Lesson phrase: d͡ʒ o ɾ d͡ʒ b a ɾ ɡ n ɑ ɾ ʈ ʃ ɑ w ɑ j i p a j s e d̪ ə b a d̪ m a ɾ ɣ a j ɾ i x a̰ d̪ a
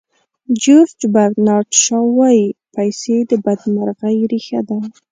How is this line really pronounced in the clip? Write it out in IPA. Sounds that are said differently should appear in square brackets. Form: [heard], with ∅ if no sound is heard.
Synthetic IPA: d͡ʒ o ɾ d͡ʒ b a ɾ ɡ n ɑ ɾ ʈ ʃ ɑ w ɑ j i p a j s e d̪ ə b a d̪ m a ɾ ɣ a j ɾ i x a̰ d̪ a